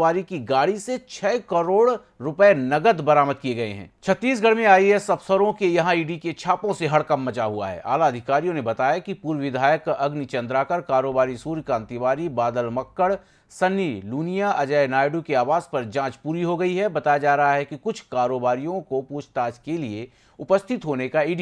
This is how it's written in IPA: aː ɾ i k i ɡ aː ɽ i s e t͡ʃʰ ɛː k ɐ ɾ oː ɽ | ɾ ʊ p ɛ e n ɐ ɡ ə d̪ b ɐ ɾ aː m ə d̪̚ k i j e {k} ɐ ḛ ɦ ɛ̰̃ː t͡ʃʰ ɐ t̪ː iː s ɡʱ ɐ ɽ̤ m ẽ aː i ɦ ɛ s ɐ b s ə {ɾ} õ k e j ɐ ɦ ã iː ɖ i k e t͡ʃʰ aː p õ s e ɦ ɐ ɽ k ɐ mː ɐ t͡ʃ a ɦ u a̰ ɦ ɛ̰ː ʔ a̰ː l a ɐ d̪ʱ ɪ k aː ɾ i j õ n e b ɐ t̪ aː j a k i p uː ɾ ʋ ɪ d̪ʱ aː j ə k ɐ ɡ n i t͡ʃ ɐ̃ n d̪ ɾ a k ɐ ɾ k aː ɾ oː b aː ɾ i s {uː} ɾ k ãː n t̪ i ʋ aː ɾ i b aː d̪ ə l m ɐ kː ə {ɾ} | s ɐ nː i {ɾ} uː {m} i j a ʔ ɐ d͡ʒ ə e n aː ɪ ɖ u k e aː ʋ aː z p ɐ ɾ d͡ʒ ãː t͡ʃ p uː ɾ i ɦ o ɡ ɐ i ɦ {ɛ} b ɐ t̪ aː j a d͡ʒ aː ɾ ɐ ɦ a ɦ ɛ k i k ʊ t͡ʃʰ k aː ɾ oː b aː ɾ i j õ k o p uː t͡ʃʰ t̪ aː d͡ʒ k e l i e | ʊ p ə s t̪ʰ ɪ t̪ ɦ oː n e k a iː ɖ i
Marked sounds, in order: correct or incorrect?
incorrect: ɡ, correct, correct, incorrect: ɽ, incorrect: l, incorrect: n, correct

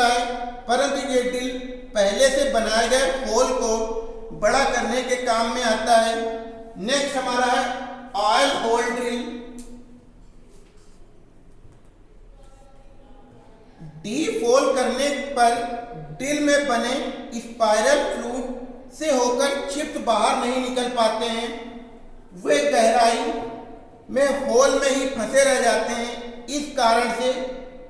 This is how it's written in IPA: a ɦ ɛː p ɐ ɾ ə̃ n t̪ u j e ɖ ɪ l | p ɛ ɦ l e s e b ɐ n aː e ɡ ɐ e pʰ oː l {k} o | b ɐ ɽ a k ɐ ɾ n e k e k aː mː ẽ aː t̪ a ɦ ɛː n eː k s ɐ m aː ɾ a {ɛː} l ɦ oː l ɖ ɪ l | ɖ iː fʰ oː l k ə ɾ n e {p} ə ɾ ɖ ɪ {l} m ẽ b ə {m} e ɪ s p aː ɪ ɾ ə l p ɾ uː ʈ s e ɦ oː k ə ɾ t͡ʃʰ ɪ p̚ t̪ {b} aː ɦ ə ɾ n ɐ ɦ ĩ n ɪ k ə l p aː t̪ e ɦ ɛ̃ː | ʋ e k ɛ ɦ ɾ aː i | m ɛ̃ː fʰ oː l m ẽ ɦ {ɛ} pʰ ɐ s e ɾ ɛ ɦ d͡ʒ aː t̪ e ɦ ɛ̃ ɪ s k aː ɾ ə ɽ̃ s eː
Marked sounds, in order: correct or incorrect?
correct, incorrect: aː, correct, correct, incorrect: n, correct, incorrect: i

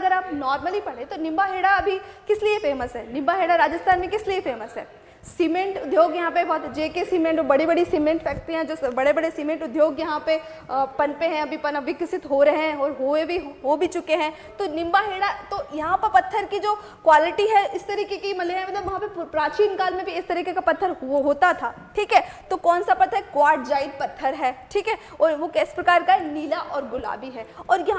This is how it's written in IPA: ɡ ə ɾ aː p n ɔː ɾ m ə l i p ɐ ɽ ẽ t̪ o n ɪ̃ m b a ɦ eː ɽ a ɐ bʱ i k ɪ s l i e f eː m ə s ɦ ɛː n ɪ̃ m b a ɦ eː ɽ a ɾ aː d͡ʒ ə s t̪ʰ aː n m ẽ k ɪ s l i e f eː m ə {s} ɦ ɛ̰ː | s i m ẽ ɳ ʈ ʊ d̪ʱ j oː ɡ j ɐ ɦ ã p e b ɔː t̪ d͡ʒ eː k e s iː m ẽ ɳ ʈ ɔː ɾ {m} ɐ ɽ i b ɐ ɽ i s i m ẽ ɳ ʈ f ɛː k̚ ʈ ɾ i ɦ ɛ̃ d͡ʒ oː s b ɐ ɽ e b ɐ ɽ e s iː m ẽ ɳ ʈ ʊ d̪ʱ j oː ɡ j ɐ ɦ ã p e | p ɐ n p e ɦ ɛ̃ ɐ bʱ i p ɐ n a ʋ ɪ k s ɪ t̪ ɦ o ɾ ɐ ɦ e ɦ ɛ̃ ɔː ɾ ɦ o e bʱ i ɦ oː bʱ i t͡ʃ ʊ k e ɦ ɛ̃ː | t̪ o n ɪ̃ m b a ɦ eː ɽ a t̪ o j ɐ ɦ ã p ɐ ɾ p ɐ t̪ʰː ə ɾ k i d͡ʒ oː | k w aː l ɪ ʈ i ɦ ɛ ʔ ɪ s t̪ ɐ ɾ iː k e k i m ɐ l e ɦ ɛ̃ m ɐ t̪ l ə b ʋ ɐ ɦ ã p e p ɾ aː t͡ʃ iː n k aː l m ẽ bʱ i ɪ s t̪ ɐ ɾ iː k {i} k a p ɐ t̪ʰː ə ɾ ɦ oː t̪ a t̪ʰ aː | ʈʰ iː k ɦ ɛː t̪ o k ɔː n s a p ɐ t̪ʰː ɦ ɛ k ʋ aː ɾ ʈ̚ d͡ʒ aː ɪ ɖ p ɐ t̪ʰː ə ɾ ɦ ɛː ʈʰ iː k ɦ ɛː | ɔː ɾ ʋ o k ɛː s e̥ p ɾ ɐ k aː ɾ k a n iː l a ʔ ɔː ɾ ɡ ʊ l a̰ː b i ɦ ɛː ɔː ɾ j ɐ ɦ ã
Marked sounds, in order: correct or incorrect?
correct, incorrect: b, incorrect: e

